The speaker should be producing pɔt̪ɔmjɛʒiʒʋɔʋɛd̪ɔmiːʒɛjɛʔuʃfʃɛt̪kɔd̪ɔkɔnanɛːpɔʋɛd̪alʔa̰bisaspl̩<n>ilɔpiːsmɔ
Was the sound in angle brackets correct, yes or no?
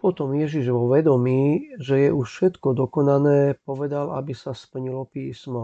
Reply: no